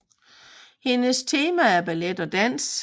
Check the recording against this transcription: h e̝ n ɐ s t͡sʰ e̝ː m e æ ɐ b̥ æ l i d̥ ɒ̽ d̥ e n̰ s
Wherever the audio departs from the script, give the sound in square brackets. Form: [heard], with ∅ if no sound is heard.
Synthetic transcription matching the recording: h e̝ n [ə] s t͡sʰ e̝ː m [æ] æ ɐ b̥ æ l [e] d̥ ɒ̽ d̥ [æ] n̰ s

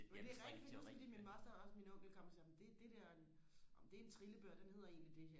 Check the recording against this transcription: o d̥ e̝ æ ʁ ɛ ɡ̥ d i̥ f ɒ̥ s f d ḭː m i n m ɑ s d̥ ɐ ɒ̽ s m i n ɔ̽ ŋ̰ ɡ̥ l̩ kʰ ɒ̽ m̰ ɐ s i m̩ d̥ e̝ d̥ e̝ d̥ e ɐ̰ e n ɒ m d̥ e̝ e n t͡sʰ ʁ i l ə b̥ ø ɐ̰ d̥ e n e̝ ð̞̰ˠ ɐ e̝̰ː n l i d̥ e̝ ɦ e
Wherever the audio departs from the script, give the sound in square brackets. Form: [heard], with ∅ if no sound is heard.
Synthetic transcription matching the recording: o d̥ e̝ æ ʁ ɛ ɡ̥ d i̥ f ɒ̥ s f d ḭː m i n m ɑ s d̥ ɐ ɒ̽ s m i n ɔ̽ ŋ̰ ɡ̥ l̩ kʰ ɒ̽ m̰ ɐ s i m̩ d̥ e̝ d̥ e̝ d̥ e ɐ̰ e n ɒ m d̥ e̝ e n t͡sʰ ʁ i l ə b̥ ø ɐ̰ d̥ e n e̝ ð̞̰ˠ ɐ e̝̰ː n l i d̥ e̝ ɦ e

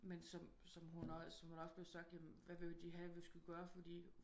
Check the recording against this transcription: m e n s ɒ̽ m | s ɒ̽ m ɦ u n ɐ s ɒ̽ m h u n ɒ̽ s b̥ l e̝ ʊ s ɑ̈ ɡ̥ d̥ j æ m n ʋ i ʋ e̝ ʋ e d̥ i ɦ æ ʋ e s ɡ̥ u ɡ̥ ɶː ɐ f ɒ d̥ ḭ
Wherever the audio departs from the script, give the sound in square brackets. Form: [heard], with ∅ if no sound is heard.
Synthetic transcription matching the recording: m e n s ɒ̽ m | s ɒ̽ m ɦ u n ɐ s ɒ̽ m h u n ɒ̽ s b̥ l e̝ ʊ s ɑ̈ ɡ̥ d̥ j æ m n ʋ [æ] ʋ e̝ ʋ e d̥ i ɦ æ ʋ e s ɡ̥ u ɡ̥ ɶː ɐ f ɒ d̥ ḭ

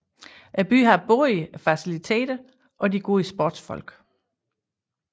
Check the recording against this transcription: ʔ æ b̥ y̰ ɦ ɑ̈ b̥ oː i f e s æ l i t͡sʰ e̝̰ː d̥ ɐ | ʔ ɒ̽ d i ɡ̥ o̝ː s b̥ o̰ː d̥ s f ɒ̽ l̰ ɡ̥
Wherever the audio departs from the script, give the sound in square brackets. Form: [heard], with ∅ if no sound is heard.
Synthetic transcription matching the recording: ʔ æ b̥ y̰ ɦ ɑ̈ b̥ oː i f [æ] s [i] l i t͡sʰ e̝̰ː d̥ ɐ | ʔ ɒ̽ d i ɡ̥ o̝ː s b̥ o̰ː d̥ s f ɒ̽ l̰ ɡ̥

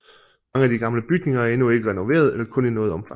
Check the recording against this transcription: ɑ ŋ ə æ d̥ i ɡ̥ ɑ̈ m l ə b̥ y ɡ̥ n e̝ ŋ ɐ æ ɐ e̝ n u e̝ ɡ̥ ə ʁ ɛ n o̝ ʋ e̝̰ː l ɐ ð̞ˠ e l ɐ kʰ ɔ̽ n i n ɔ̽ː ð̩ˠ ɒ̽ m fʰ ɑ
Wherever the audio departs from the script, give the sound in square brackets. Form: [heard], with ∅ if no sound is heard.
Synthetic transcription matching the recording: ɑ ŋ ə æ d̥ i ɡ̥ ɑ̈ m l ə b̥ y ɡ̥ n e̝ ŋ ɐ æ ɐ e̝ n u e̝ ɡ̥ ə ʁ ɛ n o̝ ʋ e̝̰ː [∅] ɐ ð̞ˠ e l ɐ kʰ ɔ̽ n i n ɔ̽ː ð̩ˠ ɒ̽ m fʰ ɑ

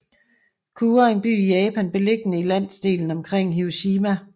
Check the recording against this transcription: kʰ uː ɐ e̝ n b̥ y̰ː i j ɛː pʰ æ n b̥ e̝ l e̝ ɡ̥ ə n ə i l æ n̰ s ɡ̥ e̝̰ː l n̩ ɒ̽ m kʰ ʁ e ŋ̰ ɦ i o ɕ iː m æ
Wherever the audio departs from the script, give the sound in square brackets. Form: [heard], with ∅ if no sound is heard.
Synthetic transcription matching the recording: kʰ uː ɐ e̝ n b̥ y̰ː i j ɛː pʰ æ n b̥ e̝ l e̝ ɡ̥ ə n ə i l æ n̰ s [d̥] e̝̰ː l n̩ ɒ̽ m kʰ ʁ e ŋ̰ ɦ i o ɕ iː m æ

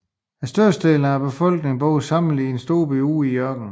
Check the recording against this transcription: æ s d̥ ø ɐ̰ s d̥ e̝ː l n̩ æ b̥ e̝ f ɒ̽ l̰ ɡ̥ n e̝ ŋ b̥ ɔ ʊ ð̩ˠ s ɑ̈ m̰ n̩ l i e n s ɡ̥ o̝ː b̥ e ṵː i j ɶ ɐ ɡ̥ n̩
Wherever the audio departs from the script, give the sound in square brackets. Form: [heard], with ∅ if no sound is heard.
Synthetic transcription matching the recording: æ s d̥ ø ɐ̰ s d̥ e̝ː l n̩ æ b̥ e̝ f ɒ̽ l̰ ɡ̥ n e̝ ŋ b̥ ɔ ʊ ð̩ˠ s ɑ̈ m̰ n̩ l i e n s [d̥] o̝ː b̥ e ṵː i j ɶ ɐ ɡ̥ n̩

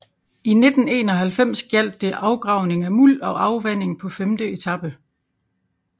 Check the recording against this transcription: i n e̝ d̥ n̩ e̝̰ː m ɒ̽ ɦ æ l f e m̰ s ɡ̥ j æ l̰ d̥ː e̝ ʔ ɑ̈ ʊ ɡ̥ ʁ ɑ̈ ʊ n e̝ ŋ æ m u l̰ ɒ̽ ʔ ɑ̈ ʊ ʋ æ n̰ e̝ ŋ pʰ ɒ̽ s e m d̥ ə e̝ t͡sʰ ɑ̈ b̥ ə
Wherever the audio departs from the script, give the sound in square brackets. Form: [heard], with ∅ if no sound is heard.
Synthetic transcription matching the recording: i n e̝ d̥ n̩ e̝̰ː [n] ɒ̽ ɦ æ l f e m̰ s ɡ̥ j æ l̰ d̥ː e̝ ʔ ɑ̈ ʊ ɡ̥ ʁ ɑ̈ ʊ n e̝ ŋ æ m u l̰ ɒ̽ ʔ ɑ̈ ʊ ʋ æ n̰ e̝ ŋ pʰ ɒ̽ [f] e m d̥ ə e̝ t͡sʰ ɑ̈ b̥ ə

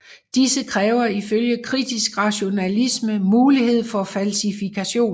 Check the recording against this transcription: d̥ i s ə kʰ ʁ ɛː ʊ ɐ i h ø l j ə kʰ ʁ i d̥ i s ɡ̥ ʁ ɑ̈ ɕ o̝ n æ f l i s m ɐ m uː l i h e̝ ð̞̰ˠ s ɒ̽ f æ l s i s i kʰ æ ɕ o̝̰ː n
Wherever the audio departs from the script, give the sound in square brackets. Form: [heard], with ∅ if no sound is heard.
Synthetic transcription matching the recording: d̥ i s ə kʰ ʁ ɛː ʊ ɐ i [f] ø l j ə kʰ ʁ i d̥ i s ɡ̥ ʁ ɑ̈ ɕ o̝ n æ [∅] l i s m [ə] m uː l i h e̝ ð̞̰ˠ [f] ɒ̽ f æ l s i [f] i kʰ æ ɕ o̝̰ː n

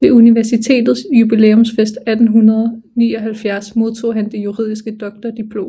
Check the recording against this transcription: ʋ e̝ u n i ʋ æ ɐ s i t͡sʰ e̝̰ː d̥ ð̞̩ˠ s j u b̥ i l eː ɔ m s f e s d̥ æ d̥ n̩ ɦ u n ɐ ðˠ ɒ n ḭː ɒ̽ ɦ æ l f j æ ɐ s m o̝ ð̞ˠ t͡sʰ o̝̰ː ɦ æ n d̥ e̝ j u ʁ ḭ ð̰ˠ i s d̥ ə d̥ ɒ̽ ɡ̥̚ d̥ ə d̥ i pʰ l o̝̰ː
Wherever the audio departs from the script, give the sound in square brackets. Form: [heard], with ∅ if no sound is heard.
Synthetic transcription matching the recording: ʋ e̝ u n i ʋ æ ɐ s i t͡sʰ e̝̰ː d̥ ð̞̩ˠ s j u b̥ i l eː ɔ m s f e s d̥ æ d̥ n̩ ɦ u n ɐ ðˠ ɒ n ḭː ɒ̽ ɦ æ l f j æ ɐ s m o̝ ð̞ˠ t͡sʰ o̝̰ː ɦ æ n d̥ e̝ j u ʁ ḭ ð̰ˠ i s [ɡ̥] ə d̥ ɒ̽ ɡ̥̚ d̥ [ɐ] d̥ i pʰ l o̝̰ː

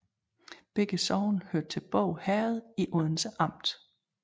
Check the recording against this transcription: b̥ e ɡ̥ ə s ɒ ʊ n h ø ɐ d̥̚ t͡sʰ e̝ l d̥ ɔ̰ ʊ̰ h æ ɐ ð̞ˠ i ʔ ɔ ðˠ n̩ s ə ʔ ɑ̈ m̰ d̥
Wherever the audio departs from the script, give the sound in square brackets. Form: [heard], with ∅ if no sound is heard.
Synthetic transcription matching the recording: b̥ e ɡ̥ ə s ɒ ʊ n h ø ɐ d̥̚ t͡sʰ e̝ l [b̥] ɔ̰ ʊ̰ h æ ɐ ð̞ˠ i ʔ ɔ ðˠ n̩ s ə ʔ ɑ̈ m̰ d̥

